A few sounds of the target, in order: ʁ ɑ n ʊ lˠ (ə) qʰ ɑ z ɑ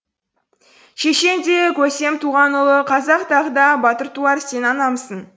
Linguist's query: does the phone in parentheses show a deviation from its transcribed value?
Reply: no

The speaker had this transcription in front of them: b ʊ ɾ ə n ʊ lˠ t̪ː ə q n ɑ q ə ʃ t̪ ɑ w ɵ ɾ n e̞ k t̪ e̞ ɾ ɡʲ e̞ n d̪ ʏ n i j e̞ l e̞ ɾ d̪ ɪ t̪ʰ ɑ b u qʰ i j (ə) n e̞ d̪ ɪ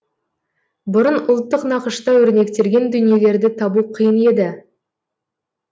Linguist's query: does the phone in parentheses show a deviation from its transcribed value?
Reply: no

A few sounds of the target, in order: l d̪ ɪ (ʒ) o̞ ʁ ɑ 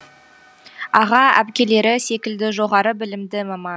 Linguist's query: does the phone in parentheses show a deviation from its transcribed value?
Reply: no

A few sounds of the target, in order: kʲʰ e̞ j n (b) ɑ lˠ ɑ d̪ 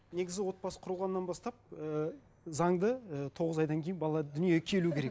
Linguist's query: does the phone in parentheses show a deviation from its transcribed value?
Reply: no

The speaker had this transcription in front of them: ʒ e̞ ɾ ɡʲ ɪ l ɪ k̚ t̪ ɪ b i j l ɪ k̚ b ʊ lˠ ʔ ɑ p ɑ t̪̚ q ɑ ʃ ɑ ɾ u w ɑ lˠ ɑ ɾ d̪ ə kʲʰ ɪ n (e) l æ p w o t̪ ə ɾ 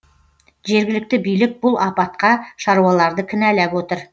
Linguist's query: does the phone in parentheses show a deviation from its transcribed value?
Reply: yes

